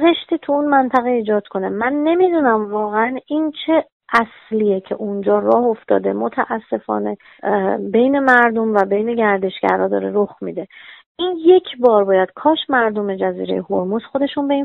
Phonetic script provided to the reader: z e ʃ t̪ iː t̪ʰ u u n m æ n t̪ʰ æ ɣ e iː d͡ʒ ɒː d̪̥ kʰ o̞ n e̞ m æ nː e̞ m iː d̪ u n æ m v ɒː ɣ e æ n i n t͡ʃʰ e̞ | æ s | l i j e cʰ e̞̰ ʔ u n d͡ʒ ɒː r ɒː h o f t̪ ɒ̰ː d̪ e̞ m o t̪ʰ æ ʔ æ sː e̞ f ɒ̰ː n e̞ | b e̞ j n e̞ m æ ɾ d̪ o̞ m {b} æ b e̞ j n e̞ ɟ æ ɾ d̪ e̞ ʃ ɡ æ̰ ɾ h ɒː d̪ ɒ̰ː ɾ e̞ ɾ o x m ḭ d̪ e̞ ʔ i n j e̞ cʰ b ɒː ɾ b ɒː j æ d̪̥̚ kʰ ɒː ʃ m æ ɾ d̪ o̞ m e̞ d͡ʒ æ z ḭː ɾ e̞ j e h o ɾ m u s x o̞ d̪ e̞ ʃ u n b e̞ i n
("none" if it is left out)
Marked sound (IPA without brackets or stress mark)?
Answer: v